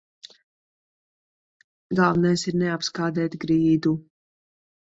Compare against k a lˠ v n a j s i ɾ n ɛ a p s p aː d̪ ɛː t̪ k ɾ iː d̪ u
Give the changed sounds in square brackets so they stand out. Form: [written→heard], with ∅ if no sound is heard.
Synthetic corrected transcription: [k→ɡ] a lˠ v n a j s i ɾ n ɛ a p s [p→k] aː d̪ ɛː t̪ [k→ɡ] ɾ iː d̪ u